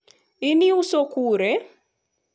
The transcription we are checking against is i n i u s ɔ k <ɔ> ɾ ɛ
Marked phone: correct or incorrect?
incorrect